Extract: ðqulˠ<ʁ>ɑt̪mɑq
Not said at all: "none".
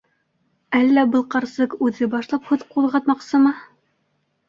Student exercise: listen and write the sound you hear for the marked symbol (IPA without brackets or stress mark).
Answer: ʁ